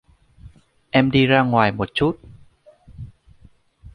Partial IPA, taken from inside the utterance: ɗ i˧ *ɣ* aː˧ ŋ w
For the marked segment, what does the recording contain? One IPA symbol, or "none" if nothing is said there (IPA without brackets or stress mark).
z